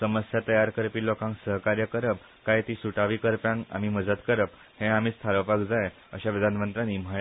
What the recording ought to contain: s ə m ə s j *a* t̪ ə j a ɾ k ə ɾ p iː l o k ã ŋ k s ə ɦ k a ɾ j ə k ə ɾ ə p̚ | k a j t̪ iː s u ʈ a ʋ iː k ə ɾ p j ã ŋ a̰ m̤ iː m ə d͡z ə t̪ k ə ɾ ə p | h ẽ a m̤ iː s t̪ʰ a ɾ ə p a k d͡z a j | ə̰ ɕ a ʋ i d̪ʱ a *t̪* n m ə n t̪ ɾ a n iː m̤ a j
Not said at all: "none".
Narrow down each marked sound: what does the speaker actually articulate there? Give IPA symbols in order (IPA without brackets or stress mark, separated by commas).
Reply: a, none